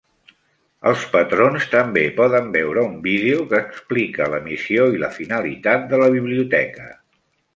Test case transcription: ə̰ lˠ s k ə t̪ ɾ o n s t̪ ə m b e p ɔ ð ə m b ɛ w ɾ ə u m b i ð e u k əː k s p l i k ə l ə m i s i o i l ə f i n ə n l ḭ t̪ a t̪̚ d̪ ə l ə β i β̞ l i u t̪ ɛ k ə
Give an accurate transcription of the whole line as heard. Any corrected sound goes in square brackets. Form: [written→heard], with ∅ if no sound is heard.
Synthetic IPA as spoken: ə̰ lˠ s [k→p] ə t̪ ɾ o n s t̪ ə m b e p ɔ ð ə m b ɛ w ɾ ə u m b i ð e u k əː k s p l i k ə l ə m i s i o i l ə f i n ə [n→∅] l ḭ t̪ a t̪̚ d̪ ə l ə β i β̞ l i u t̪ ɛ k ə